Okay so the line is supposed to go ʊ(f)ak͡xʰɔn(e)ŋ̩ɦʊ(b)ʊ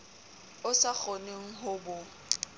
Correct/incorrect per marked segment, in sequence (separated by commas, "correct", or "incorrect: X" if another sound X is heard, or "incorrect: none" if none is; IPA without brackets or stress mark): incorrect: s, correct, correct